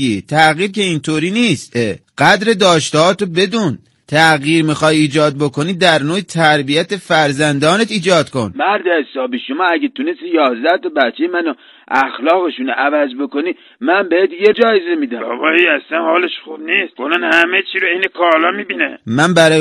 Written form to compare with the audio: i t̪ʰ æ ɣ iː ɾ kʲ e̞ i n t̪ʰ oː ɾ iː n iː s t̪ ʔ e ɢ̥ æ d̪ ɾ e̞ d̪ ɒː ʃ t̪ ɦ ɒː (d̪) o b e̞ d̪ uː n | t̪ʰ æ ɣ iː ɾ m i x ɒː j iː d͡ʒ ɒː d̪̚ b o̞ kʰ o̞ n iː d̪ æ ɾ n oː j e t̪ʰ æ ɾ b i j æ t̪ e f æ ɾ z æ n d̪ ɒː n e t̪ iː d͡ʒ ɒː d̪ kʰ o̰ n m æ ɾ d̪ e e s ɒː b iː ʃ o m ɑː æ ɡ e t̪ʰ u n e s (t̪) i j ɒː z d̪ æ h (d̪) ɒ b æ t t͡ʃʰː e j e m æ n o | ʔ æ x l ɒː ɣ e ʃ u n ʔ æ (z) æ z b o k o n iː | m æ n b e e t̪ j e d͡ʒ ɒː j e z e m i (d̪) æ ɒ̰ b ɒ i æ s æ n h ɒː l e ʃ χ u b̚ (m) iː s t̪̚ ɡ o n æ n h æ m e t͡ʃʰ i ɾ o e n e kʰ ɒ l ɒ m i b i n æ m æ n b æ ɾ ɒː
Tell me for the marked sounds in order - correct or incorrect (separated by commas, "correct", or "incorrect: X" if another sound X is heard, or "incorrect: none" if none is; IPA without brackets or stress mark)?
incorrect: t̪, correct, incorrect: t̪, incorrect: v, correct, incorrect: n